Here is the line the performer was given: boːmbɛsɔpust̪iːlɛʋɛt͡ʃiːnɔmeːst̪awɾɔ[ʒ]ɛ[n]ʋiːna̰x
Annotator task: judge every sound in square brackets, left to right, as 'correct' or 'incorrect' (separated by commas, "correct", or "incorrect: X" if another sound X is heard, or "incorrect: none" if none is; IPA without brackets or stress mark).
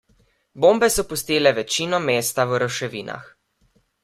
incorrect: ʃ, incorrect: none